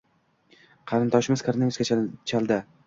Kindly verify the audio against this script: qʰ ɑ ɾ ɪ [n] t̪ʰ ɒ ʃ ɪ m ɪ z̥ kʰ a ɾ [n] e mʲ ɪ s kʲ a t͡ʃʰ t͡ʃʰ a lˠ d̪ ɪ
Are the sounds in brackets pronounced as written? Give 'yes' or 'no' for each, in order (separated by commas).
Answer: yes, yes